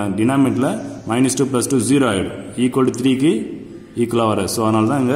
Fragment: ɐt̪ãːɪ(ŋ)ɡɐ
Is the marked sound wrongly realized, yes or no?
no